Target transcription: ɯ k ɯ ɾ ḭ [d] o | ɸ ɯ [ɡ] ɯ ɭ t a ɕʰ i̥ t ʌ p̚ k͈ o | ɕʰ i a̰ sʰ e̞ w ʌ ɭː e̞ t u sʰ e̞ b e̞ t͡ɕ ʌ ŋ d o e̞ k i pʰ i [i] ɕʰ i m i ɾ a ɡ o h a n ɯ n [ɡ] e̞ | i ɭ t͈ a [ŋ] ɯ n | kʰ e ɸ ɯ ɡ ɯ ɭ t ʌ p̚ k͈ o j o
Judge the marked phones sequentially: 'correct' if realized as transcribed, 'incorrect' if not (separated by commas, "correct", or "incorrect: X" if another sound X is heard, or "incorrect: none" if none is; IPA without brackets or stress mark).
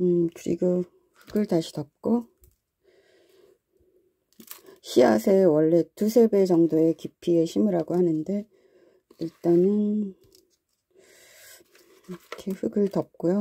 incorrect: ɡ, correct, incorrect: e, incorrect: d, incorrect: n